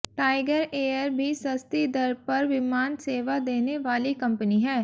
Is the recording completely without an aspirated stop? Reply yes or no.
yes